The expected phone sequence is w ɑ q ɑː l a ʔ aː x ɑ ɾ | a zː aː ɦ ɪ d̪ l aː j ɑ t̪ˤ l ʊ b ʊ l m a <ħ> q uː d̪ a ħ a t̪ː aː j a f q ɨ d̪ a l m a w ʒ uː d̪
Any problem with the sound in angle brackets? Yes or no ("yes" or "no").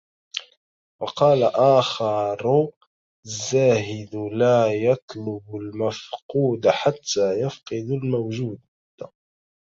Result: yes